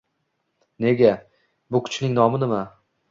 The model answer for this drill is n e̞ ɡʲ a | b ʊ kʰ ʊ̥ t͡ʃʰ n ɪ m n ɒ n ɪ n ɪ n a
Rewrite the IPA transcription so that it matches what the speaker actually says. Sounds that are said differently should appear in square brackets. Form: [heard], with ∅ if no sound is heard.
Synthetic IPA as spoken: n e̞ ɡʲ a | b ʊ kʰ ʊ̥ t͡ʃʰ n ɪ [ŋ] n ɒ [m] ɪ n ɪ [m] a